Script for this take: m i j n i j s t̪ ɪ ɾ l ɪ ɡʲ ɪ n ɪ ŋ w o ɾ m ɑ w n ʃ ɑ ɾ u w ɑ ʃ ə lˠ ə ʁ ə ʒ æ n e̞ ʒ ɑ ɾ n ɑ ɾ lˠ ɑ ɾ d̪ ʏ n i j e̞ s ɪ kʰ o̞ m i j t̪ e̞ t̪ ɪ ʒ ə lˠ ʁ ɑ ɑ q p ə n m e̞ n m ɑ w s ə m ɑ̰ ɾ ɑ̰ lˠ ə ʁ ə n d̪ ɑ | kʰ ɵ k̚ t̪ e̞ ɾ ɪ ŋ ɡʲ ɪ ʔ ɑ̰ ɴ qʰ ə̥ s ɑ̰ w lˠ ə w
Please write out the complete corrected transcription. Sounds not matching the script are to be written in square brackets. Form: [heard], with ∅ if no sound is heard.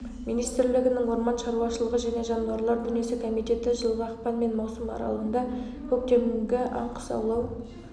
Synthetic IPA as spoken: m i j n i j s t̪ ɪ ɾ l ɪ ɡʲ ɪ n ɪ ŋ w o ɾ m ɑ [∅] n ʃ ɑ ɾ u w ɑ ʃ ə lˠ ə ʁ ə ʒ æ n e̞ ʒ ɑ [∅] n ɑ ɾ lˠ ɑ ɾ d̪ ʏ n i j e̞ s ɪ kʰ o̞ m i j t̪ e̞ t̪ ɪ ʒ ə lˠ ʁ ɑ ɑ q p [ɑ] n m e̞ n m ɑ w s ə m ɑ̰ ɾ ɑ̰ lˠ ə ʁ ə n d̪ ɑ | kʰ ɵ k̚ t̪ e̞ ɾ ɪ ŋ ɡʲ ɪ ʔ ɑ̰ ɴ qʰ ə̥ s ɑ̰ w lˠ [ɑ] w

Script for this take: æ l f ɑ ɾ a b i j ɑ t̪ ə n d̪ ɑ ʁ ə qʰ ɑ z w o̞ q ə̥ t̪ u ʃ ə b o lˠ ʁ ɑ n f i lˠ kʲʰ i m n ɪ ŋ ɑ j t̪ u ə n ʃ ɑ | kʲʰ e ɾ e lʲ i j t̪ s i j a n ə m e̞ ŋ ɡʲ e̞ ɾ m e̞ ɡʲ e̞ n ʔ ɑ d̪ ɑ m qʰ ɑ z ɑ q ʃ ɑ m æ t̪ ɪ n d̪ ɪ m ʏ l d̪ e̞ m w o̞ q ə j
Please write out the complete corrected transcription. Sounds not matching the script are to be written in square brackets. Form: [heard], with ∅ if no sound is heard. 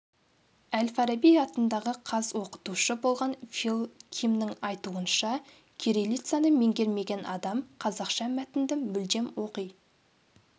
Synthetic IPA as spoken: æ l f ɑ ɾ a b i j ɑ t̪ ə n d̪ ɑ ʁ ə qʰ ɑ z w o̞ q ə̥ t̪ u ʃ ə b o lˠ ʁ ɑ n f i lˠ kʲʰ i m n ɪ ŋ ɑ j t̪ u ə n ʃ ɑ | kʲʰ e ɾ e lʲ i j t̪ s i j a n ə m e̞ ŋ ɡʲ e̞ ɾ m e̞ ɡʲ e̞ n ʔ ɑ d̪ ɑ m qʰ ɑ z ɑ q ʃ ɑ m æ t̪ ɪ n d̪ ɪ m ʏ l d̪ e̞ m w o̞ q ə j

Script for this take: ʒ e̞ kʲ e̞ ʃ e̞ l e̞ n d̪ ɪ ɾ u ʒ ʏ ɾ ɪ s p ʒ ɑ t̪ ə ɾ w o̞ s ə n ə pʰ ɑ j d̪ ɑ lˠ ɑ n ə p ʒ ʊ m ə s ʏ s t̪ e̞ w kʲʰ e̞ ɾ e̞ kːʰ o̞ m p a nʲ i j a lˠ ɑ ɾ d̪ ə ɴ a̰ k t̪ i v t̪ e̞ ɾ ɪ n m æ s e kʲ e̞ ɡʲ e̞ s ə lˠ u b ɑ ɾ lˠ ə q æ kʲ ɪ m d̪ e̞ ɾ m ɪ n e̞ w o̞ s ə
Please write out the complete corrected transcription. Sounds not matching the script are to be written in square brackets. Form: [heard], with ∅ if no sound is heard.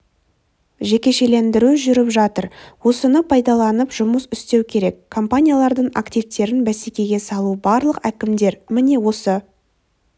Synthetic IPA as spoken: ʒ e̞ kʲ e̞ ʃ e̞ l e̞ n d̪ ɪ ɾ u ʒ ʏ ɾ ɪ [∅] p ʒ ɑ t̪ ə ɾ w o̞ s ə n ə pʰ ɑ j d̪ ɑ lˠ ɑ n ə p ʒ ʊ m ə s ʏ s t̪ e̞ w kʲʰ e̞ ɾ e̞ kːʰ o̞ m p a nʲ i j a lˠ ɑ ɾ d̪ ə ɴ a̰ k t̪ i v t̪ e̞ ɾ ɪ n [b] æ s e kʲ e̞ ɡʲ e̞ s [ɑ] lˠ u b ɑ ɾ lˠ ə q æ kʲ ɪ m d̪ e̞ ɾ m ɪ n e̞ w o̞ s ə

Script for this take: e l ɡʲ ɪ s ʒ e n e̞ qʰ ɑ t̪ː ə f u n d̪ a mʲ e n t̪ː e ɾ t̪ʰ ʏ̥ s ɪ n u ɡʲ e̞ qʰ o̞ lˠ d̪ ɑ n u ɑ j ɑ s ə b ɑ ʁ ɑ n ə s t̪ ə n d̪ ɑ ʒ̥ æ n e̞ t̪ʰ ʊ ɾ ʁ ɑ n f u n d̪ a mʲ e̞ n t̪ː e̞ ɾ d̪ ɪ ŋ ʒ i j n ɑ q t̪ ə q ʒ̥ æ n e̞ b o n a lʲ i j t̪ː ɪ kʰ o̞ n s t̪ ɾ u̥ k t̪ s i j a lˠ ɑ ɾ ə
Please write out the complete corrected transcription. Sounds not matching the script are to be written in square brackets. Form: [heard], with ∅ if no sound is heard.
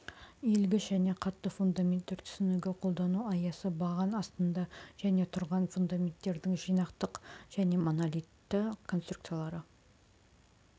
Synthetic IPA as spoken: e l ɡʲ ɪ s ʒ [æ] n e̞ qʰ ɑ t̪ː ə f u n d̪ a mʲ e n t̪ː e ɾ t̪ʰ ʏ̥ s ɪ n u ɡʲ e̞ qʰ o̞ lˠ d̪ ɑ n u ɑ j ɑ s ə b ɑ ʁ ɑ n [ɑ] s t̪ ə n d̪ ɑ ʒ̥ æ n e̞ t̪ʰ ʊ ɾ ʁ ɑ n f u n d̪ a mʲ e̞ n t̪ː e̞ ɾ d̪ ɪ ŋ ʒ i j n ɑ q t̪ ə q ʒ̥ æ n e̞ [m] o n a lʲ i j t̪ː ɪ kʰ o̞ n s t̪ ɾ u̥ k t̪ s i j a lˠ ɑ ɾ ə

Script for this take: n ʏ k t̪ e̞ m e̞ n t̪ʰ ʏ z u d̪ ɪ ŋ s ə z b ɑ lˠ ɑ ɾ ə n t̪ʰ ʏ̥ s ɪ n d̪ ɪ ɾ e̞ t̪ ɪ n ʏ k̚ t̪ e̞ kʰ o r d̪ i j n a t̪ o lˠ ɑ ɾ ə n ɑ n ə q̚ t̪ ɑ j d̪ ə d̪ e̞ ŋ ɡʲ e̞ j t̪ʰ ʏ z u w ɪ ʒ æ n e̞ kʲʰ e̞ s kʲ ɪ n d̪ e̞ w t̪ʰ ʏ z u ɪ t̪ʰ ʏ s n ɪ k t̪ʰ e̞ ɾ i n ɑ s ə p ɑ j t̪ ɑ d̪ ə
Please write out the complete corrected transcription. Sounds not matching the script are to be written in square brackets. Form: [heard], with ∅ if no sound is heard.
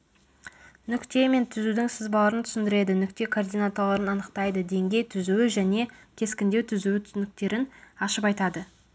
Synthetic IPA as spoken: n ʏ k t̪ e̞ m e̞ n t̪ʰ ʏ z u d̪ ɪ ŋ s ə z b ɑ lˠ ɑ ɾ ə n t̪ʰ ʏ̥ s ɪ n d̪ ɪ ɾ e̞ [d̪] ɪ n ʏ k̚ t̪ e̞ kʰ o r d̪ i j n a t̪ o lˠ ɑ ɾ ə n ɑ n ə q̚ t̪ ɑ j d̪ ə d̪ e̞ ŋ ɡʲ e̞ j t̪ʰ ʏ z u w ɪ ʒ æ n e̞ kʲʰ e̞ s kʲ ɪ n d̪ e̞ w t̪ʰ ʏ z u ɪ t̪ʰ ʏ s n ɪ k [t̪] e̞ ɾ [ɪ] n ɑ [ʃ] ə p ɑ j t̪ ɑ d̪ ə

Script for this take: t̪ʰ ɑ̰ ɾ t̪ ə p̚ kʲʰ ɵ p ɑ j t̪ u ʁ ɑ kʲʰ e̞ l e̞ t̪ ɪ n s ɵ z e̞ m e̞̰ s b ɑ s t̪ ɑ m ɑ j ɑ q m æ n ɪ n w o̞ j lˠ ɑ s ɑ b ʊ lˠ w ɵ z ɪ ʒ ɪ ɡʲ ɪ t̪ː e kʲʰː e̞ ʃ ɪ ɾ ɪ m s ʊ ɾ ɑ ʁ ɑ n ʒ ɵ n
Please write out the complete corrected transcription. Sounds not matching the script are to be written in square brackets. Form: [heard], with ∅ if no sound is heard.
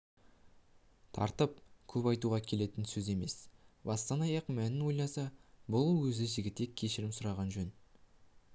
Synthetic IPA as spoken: t̪ʰ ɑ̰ ɾ t̪ ə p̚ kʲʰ ɵ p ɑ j t̪ u ʁ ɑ kʲʰ e̞ l e̞ t̪ ɪ n s ɵ z e̞ m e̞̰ s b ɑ s t̪ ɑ [n] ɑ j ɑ q m æ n ɪ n w o̞ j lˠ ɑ s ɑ b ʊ lˠ w ɵ z ɪ ʒ ɪ ɡʲ ɪ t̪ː e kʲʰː e̞ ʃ ɪ ɾ ɪ m s ʊ ɾ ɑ ʁ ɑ n ʒ ɵ n

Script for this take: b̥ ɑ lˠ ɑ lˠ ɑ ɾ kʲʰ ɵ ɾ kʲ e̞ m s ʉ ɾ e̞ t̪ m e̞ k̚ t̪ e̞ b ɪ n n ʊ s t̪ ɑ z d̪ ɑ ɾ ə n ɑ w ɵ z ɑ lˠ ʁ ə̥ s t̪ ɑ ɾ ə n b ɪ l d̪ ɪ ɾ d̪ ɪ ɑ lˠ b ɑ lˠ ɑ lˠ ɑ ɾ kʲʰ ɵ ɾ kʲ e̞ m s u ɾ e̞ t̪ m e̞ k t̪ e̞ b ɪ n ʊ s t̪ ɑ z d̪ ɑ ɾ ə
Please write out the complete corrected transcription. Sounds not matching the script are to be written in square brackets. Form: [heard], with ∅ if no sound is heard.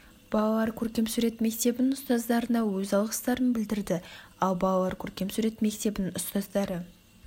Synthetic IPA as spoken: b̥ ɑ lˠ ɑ lˠ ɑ ɾ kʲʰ ɵ ɾ kʲ e̞ m s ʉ ɾ e̞ t̪ m e̞ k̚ t̪ e̞ b ɪ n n ʊ s t̪ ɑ z d̪ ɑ ɾ ə n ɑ w ɵ z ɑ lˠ ʁ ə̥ s t̪ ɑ ɾ ə n b ɪ l d̪ ɪ ɾ d̪ ɪ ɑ lˠ b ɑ lˠ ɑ lˠ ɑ ɾ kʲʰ ɵ ɾ kʲ e̞ m s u ɾ e̞ t̪ m e̞ k t̪ e̞ b ɪ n ʊ s t̪ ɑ z d̪ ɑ ɾ ə

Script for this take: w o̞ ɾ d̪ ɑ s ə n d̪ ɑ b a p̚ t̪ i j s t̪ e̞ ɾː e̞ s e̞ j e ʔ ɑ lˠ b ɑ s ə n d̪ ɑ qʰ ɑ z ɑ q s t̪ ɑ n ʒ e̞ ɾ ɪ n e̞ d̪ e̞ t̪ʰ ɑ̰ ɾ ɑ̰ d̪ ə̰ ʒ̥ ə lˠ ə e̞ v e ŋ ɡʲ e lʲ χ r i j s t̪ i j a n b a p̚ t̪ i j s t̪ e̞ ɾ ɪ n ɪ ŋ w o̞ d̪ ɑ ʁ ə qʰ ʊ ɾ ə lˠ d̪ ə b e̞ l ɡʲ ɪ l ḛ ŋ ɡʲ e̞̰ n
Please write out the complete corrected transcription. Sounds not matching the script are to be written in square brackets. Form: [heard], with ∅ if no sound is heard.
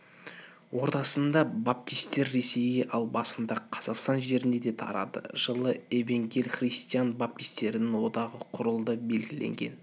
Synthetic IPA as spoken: w o̞ ɾ [t̪] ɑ s ə n d̪ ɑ b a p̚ t̪ i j s t̪ e̞ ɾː e̞ s e̞ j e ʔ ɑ lˠ b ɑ s ə n d̪ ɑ qʰ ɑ z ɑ q s t̪ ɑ n ʒ e̞ ɾ ɪ n e̞ d̪ e̞ t̪ʰ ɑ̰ ɾ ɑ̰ d̪ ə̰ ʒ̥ ə lˠ ə e̞ v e ŋ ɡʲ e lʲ χ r i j s t̪ i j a n b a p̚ t̪ i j s t̪ e̞ ɾ ɪ n ɪ ŋ w o̞ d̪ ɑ ʁ ə qʰ ʊ ɾ ə lˠ d̪ ə b e̞ l ɡʲ ɪ l ḛ ŋ ɡʲ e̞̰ n

